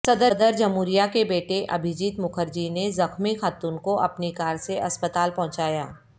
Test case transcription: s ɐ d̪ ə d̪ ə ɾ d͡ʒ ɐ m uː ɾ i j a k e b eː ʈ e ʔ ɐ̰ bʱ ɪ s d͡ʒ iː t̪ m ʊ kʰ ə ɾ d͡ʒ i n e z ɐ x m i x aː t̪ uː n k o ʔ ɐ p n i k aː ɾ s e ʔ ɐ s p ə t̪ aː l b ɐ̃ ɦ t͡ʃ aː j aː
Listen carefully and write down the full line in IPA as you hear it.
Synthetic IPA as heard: s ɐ d̪ ə d̪ ə ɾ d͡ʒ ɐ m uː ɾ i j a k e b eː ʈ e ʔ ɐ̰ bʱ ɪ d͡ʒ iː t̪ m ʊ kʰ ə ɾ d͡ʒ i n e z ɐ x m i x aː t̪ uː n k o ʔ ɐ p n i k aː ɾ s e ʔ ɐ s p ə t̪ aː l p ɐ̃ ɦ t͡ʃ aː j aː